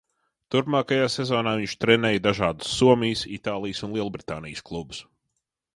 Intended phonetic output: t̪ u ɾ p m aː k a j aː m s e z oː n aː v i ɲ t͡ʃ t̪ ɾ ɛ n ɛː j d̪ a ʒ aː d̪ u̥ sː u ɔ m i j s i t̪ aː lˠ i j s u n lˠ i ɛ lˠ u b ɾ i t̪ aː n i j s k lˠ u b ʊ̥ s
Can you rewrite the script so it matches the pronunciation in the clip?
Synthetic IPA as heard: t̪ u ɾ p m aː k a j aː s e z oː n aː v i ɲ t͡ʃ t̪ ɾ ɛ n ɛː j d̪ a ʒ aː d̪ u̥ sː u ɔ m i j s i t̪ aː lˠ i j s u n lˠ i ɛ lˠ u b ɾ i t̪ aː n i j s k lˠ u b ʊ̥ s